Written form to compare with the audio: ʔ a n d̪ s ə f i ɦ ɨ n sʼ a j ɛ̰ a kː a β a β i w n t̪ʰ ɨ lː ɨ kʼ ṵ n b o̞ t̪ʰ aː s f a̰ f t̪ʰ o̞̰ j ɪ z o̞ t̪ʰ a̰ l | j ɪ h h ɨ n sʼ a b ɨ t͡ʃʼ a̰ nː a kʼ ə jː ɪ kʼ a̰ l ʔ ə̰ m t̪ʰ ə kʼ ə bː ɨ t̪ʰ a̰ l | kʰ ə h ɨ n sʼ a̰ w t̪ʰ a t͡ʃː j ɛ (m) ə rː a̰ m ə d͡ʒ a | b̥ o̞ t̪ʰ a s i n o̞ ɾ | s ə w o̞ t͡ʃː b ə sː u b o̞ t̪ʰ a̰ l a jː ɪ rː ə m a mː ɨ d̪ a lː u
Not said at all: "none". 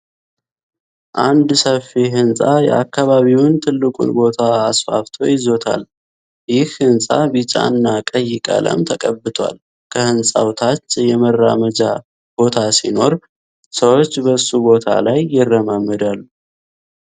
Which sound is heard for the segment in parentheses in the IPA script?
m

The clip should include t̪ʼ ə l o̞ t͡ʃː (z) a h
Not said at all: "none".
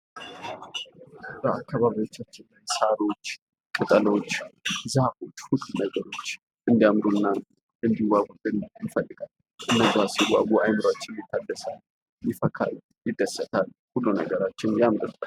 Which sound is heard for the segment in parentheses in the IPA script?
z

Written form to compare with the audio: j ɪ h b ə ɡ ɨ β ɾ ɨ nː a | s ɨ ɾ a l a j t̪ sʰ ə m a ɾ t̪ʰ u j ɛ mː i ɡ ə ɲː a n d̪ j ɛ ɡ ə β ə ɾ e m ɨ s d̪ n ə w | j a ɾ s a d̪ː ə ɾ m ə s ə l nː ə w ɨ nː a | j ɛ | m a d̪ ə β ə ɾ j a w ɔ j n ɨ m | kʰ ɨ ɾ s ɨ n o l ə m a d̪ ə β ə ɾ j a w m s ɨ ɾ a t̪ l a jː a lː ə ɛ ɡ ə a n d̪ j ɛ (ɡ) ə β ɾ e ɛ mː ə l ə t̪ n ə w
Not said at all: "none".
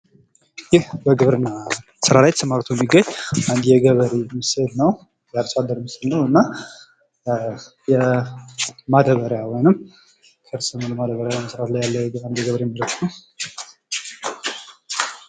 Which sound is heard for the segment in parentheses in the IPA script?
ɡ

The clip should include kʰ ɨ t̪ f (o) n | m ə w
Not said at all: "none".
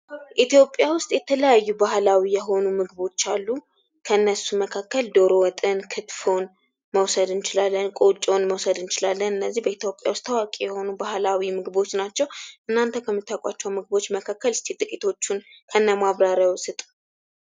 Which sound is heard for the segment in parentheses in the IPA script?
o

